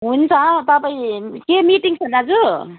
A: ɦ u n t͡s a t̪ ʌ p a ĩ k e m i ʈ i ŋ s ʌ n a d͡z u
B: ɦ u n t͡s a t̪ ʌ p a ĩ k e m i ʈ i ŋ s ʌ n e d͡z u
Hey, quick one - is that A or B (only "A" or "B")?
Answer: A